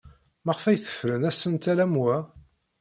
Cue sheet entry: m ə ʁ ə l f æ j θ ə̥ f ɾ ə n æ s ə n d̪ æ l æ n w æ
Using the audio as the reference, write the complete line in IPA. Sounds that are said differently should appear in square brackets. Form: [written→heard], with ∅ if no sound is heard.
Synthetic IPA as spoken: m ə ʁ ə [l→∅] f æ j θ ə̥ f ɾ ə n æ s ə n [d̪→t̪] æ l æ [n→m] w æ